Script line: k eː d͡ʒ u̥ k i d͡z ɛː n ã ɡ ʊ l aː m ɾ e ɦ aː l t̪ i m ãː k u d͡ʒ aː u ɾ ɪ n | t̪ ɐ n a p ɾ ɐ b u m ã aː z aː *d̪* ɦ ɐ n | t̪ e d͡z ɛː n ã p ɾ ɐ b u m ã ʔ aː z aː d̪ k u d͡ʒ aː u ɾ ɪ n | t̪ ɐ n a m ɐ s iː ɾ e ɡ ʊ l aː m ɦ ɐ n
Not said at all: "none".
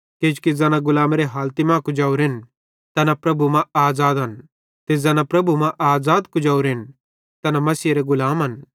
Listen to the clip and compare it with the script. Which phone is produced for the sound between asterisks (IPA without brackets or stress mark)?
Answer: d̪